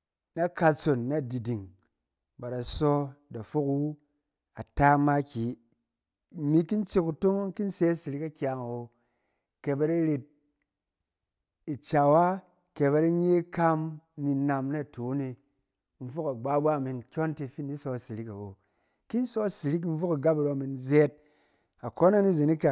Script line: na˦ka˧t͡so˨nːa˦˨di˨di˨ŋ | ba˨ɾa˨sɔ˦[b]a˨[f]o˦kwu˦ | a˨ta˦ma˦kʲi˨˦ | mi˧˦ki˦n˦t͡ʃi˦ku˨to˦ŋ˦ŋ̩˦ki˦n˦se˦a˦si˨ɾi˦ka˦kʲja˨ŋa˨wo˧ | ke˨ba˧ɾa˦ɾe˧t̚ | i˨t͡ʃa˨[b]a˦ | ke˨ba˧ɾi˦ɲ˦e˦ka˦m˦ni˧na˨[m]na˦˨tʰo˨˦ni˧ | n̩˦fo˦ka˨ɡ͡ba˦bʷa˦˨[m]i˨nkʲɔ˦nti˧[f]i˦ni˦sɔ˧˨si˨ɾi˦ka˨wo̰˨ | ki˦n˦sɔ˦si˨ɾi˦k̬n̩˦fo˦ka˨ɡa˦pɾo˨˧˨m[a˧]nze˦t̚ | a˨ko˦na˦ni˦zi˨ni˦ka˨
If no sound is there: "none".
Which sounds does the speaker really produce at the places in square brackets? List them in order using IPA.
d, f, w, m, m, f, i˧

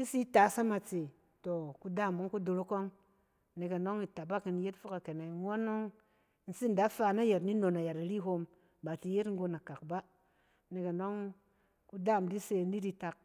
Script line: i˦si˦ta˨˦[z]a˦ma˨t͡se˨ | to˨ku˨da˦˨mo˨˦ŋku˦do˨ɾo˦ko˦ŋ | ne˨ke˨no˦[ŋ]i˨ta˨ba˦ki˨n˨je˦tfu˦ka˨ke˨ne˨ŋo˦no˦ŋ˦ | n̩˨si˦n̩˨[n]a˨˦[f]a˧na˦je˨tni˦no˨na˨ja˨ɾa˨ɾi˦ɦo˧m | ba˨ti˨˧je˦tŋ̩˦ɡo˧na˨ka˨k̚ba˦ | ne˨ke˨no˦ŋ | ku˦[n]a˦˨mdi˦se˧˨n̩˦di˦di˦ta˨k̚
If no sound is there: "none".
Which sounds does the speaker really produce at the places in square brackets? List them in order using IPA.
s, ŋ, d, f, d

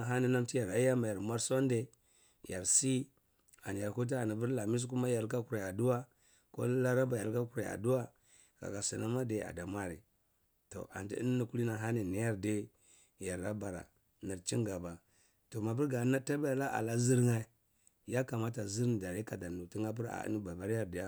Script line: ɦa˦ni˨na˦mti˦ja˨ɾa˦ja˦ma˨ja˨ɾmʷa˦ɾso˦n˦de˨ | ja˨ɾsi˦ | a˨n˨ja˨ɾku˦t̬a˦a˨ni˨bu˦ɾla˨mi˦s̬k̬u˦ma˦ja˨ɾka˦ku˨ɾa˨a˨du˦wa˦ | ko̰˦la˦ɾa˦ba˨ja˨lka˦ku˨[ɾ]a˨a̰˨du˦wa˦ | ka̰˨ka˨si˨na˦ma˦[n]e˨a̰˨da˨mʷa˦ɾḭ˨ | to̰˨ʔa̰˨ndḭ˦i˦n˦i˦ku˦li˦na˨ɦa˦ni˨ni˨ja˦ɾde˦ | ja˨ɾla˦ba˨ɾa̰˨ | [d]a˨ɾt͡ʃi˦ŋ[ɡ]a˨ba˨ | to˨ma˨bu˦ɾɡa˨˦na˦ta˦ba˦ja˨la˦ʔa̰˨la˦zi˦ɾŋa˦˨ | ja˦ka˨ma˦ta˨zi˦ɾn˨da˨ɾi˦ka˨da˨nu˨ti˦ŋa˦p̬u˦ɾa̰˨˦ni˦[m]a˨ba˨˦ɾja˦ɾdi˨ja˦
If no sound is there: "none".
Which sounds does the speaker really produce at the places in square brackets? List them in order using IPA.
ɾ, d, n, ɡ, b

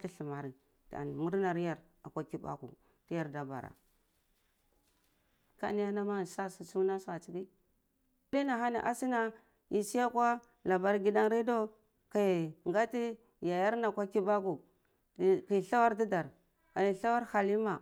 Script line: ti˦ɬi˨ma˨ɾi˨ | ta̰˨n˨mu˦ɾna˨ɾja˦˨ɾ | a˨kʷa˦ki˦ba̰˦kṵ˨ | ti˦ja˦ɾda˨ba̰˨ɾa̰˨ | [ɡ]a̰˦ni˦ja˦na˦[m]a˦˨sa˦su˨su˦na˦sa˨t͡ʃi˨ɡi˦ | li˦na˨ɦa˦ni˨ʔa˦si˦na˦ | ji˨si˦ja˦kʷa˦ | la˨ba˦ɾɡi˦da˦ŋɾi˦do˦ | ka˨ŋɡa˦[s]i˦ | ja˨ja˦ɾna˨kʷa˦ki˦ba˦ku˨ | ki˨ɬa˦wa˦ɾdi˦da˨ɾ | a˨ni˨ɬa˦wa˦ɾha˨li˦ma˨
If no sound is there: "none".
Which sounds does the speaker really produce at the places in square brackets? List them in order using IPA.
k, m, t

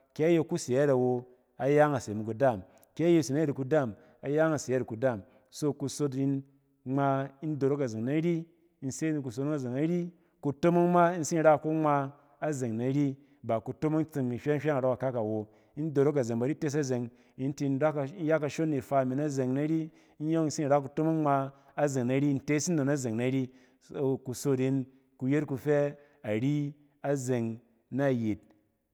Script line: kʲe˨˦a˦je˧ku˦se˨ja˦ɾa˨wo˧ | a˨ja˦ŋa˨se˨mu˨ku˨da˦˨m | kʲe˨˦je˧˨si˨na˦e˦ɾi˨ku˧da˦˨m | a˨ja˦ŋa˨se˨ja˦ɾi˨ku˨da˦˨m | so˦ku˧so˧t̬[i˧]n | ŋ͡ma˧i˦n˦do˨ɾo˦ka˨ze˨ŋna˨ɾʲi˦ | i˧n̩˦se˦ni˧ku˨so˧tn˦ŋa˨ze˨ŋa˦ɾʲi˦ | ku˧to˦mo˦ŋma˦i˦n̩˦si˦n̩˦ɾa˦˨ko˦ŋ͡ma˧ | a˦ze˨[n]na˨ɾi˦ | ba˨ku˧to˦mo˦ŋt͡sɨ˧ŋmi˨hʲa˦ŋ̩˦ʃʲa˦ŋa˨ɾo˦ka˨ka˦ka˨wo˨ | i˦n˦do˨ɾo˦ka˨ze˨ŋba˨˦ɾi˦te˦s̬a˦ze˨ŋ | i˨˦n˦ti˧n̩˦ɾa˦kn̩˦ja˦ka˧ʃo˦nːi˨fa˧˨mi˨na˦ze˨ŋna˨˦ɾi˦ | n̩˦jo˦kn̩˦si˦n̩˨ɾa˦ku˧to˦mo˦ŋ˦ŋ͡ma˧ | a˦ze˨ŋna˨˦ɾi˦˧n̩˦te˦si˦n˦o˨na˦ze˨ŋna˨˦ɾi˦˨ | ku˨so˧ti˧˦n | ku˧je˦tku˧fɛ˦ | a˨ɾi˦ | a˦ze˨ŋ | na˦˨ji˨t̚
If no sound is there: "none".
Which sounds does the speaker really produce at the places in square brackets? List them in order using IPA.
i˧, ŋ

